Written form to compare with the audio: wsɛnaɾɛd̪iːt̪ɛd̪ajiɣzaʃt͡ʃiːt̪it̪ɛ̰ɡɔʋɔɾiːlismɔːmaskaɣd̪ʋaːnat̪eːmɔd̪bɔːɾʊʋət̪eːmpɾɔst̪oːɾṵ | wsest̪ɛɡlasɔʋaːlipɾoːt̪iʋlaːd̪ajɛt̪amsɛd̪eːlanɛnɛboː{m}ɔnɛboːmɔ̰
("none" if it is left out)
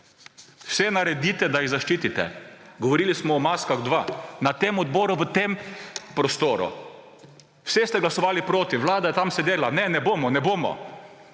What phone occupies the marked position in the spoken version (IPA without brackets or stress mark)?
m